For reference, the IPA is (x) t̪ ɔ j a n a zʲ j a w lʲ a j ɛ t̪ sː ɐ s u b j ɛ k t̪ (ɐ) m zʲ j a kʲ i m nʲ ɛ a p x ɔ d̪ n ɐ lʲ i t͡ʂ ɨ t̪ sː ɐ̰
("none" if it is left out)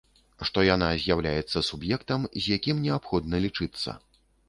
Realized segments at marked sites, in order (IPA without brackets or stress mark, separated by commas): ʂ, ɐ